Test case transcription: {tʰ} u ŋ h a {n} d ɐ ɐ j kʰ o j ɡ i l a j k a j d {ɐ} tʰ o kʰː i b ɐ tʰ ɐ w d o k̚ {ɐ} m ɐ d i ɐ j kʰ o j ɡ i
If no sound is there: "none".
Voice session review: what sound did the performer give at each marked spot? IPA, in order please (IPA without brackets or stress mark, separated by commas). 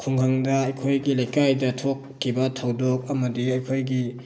kʰ, ŋ, ɐ, ɐ